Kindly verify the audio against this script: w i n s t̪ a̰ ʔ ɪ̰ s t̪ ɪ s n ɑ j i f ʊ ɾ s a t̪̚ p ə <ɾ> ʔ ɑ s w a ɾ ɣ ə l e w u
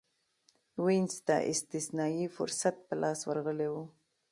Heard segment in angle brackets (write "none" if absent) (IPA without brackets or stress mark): l